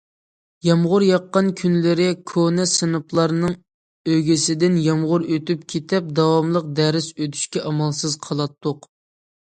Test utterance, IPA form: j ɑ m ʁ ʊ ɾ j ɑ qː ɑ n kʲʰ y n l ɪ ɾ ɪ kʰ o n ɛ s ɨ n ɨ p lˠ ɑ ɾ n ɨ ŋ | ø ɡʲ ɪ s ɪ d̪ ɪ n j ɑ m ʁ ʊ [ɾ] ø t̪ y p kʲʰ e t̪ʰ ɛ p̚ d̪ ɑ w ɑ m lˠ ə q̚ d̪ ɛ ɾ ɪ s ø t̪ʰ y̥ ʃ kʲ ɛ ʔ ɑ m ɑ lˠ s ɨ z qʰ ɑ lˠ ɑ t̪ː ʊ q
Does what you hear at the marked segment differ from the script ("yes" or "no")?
no